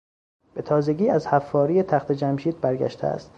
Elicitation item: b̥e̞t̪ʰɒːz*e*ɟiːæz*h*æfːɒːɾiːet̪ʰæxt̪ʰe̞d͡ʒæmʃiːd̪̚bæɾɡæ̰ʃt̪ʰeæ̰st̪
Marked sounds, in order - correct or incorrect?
correct, correct

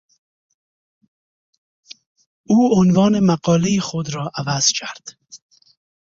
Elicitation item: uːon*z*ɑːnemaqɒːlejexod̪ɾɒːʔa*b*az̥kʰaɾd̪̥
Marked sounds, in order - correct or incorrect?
incorrect: v, incorrect: v

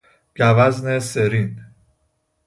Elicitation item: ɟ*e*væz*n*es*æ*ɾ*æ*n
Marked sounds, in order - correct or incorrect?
incorrect: æ, correct, incorrect: e, incorrect: i

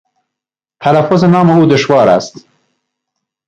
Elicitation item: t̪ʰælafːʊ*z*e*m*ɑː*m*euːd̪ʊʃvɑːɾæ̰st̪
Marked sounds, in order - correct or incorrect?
correct, incorrect: n, correct

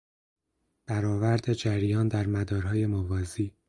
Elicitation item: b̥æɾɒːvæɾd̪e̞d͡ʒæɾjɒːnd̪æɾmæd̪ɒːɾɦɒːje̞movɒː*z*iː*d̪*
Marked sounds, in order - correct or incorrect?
correct, incorrect: none

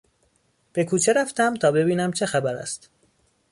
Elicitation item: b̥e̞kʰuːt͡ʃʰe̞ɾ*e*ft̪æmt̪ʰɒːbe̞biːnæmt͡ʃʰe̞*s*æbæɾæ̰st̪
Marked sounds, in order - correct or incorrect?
incorrect: æ, incorrect: x

